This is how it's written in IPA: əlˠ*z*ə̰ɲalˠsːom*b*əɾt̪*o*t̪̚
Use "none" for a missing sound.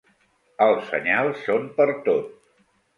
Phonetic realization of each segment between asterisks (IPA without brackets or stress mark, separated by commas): s, p, o